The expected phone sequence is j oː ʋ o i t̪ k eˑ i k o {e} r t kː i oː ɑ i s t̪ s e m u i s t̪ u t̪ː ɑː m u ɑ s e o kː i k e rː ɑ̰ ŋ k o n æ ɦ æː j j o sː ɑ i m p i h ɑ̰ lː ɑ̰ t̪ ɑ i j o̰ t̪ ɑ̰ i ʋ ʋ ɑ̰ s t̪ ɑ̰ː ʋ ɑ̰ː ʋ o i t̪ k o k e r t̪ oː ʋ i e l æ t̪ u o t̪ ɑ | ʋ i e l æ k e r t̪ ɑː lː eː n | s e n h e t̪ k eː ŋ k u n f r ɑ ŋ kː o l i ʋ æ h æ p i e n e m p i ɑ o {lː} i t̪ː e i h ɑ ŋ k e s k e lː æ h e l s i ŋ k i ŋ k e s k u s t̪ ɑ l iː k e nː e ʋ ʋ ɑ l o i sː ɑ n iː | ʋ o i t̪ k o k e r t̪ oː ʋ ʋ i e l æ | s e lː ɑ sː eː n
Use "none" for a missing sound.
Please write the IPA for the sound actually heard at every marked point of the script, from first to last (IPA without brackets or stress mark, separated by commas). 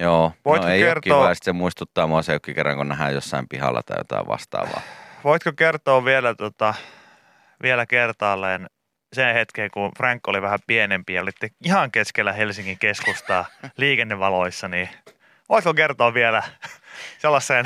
e, l